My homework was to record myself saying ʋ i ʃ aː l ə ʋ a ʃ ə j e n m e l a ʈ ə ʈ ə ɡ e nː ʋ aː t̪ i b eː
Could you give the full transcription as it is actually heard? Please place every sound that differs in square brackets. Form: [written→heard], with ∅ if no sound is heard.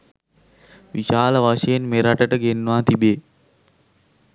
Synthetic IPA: ʋ i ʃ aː l ə ʋ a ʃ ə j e n m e [l→ɾ] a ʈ ə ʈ ə ɡ e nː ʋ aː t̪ i b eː